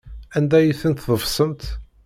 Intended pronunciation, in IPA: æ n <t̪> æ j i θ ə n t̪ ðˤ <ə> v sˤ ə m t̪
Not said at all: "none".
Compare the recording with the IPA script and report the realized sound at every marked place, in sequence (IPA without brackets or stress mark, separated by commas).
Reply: d̪, ə